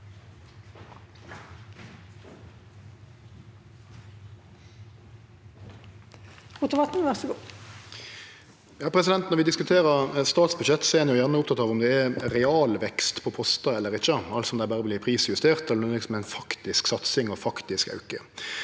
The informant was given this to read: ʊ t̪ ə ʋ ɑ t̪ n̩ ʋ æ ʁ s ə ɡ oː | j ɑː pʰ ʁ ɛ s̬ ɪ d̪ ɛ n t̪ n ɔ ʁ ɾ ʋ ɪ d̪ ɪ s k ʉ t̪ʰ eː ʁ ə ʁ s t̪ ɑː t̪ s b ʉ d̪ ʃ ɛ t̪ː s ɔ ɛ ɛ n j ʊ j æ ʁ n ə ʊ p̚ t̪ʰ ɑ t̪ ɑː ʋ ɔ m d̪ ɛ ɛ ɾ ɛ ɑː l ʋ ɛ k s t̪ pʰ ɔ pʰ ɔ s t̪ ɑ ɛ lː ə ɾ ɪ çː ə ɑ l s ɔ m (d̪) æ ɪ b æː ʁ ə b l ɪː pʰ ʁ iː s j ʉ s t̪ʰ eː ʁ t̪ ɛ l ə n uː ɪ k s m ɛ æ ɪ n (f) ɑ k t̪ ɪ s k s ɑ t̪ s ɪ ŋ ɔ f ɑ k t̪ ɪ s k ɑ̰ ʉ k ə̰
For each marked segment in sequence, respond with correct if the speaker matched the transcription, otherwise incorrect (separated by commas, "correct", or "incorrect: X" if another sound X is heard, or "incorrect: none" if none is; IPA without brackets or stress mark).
correct, correct